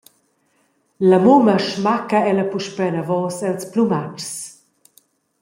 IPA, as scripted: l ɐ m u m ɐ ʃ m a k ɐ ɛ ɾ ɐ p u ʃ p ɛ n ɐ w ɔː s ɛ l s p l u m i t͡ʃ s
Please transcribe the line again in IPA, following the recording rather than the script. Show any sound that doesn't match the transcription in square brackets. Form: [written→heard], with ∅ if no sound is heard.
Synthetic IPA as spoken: l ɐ m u m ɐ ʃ m a k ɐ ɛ [ɾ→l] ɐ p u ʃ p ɛ n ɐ [w→v] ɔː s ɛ l s p l u m [i→a] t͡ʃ s